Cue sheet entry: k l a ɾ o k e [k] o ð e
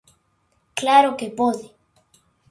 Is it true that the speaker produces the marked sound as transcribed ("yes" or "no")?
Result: no